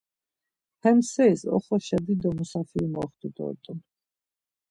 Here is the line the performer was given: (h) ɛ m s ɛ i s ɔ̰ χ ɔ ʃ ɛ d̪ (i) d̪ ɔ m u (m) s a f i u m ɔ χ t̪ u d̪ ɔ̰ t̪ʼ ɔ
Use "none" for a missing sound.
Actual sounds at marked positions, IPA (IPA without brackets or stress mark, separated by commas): h, i, none